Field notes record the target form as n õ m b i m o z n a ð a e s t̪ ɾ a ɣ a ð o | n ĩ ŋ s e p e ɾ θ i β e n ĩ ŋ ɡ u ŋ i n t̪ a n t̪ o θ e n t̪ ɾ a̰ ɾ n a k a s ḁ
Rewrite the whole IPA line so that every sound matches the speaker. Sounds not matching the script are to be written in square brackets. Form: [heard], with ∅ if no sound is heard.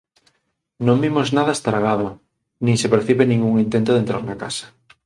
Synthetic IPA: n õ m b i m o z n a ð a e s t̪ ɾ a ɣ a ð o | n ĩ ŋ s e p e ɾ θ i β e n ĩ ŋ ɡ u ŋ i n t̪ [e] n t̪ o [ð] e n t̪ ɾ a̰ ɾ n a k a s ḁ